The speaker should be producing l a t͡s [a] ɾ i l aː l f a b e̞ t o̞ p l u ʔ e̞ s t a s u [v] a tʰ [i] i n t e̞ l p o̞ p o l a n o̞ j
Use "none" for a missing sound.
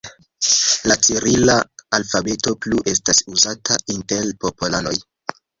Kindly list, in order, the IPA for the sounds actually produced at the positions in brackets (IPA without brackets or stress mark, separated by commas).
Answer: i, z, a